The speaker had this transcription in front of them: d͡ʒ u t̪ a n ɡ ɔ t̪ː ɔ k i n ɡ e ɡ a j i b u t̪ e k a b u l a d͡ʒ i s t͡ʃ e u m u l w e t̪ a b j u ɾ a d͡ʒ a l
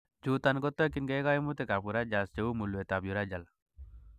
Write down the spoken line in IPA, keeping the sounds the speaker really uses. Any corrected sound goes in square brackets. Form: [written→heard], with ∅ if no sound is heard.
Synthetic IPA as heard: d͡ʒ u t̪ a n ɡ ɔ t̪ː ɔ k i n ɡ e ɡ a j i [b→m] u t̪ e k a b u [l→ɾ] a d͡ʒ [i→a] s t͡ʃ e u m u l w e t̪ a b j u ɾ a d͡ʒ a l